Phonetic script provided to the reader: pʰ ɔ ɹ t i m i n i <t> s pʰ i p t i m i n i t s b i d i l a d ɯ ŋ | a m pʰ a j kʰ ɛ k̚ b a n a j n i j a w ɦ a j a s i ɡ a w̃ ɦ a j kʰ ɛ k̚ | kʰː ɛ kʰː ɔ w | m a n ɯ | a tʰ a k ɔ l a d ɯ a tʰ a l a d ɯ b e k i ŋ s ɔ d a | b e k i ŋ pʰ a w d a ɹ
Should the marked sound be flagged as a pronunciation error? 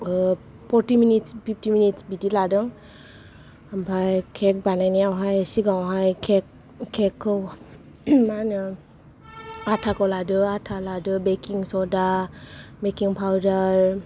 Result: no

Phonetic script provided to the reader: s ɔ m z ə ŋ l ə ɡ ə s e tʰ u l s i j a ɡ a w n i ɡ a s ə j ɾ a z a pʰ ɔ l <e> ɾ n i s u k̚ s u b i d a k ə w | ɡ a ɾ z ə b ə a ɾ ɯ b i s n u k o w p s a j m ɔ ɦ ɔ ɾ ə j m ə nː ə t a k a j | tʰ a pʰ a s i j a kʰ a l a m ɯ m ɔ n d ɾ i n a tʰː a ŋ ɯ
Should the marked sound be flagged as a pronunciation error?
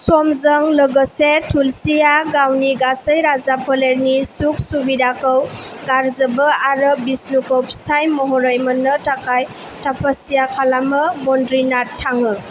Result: no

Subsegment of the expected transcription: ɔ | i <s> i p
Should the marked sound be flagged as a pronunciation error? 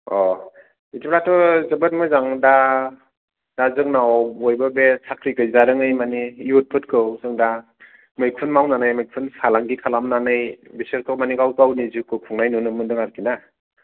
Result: yes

